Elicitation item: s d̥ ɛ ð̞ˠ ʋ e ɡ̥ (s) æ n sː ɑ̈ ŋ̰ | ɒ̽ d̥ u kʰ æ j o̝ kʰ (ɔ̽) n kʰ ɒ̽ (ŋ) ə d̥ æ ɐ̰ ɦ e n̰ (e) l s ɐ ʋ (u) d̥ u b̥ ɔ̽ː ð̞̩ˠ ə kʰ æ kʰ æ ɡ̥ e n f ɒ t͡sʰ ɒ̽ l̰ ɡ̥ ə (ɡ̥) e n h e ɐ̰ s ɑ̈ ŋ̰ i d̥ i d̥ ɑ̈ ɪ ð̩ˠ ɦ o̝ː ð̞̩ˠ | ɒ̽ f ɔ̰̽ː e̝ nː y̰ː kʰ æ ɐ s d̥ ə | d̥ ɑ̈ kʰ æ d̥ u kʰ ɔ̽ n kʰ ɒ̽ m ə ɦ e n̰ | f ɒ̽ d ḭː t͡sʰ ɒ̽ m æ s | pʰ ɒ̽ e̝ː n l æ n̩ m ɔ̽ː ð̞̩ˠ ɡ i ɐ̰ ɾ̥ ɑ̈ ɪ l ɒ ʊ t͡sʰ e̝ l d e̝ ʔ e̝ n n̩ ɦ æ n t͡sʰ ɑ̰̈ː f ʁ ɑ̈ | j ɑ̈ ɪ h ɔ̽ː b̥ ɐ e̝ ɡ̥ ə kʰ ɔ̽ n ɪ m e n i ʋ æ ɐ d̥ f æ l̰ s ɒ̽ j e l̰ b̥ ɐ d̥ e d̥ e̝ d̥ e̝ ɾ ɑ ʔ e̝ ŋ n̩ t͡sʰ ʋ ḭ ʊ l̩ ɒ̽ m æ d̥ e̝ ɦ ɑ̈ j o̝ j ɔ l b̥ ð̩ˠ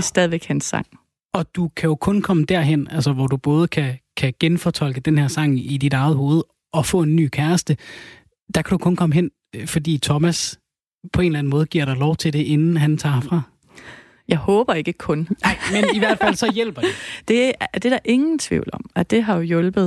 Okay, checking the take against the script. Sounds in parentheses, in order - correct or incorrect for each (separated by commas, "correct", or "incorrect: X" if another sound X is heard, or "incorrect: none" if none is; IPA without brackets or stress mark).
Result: incorrect: h, correct, incorrect: m, incorrect: æ, incorrect: ɒ, incorrect: d̥